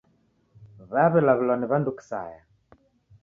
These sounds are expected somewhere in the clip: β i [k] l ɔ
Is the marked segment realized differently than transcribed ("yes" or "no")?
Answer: yes